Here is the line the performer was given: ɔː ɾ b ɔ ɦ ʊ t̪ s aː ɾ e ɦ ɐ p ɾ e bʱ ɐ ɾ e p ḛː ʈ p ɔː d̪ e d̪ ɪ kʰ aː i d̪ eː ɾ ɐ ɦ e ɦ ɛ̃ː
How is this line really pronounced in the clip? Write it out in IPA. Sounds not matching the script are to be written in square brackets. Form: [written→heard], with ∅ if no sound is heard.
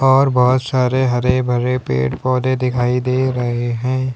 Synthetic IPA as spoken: ɔː ɾ b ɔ ɦ ʊ t̪ s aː ɾ e ɦ ɐ [p→∅] ɾ e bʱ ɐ ɾ e p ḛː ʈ p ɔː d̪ e d̪ ɪ kʰ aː i d̪ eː ɾ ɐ ɦ e ɦ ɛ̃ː

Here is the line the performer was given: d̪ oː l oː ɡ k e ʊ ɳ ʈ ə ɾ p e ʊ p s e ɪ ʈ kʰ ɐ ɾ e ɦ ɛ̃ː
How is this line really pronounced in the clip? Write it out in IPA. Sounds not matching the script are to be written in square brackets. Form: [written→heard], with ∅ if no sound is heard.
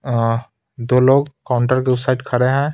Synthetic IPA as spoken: d̪ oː l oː ɡ k [e→a] ʊ ɳ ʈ ə ɾ [p→k] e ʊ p s [e→a] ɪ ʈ kʰ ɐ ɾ e ɦ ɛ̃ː

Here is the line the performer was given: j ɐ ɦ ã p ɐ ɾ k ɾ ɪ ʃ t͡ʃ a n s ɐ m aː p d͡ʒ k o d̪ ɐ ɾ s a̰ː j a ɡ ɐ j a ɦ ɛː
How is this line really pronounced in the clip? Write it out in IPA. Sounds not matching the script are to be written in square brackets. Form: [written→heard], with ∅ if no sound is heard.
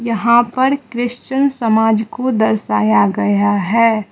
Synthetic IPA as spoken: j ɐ ɦ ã p ɐ ɾ k ɾ ɪ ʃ t͡ʃ [a→ə] n s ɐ m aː [p→∅] d͡ʒ k o d̪ ɐ ɾ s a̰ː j a ɡ ɐ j a ɦ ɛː

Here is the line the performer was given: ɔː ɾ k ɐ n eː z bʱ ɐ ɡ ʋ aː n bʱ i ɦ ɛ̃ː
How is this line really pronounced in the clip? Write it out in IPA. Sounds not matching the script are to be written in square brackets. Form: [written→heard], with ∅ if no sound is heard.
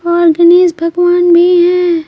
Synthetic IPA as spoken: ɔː ɾ [k→ɡ] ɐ n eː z bʱ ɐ ɡ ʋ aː n bʱ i ɦ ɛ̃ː

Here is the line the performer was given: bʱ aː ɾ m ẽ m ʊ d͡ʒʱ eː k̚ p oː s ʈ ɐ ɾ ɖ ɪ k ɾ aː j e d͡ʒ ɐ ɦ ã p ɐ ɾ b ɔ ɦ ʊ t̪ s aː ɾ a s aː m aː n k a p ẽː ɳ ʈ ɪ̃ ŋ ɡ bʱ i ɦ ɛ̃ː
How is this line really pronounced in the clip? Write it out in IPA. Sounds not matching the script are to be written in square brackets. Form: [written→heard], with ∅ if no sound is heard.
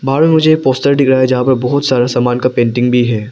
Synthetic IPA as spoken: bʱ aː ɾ m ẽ m ʊ d͡ʒʱ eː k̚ p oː s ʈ [ɐ→ə] ɾ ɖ ɪ k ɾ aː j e d͡ʒ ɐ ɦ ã p ɐ ɾ b ɔ ɦ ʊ t̪ s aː ɾ a s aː m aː n k a p ẽː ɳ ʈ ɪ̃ ŋ ɡ bʱ i ɦ [ɛ̃ː→ɛː]

